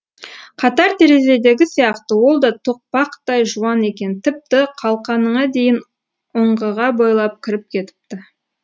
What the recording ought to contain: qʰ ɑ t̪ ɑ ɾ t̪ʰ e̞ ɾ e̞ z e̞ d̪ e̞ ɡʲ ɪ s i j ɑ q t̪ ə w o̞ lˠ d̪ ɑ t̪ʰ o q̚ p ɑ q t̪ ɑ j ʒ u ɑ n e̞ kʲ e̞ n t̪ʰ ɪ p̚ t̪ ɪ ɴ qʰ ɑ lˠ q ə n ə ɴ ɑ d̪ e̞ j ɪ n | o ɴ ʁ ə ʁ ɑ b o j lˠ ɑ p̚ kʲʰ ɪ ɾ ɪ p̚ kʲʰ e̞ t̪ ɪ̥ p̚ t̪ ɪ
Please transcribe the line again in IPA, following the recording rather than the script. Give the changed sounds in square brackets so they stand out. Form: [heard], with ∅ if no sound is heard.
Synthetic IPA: qʰ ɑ t̪ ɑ ɾ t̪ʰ e̞ ɾ e̞ z e̞ d̪ e̞ ɡʲ ɪ s i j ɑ q t̪ ə w o̞ lˠ d̪ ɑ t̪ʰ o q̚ p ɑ q t̪ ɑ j ʒ u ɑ n e̞ kʲ e̞ n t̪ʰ ɪ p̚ t̪ ɪ [∅] qʰ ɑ lˠ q [ɑ] n ə ɴ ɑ d̪ e̞ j ɪ n | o ɴ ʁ ə ʁ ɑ b o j lˠ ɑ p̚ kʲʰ ɪ ɾ ɪ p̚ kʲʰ e̞ t̪ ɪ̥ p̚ t̪ ɪ